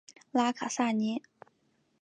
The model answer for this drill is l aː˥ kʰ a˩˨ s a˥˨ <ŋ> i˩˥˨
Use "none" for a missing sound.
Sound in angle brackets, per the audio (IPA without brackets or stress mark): ɲ